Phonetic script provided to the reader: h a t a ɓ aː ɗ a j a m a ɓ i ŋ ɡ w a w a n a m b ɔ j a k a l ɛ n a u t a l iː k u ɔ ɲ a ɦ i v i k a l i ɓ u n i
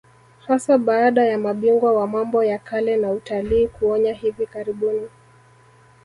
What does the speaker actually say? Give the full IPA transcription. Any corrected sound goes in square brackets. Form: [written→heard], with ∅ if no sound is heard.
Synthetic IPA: h a [t→s] a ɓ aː ɗ a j a m a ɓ i ŋ ɡ w a w a [n→m] a m b ɔ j a k a l ɛ n a u t a l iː k u ɔ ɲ a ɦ i v i k a [l→ɾ] i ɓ u n i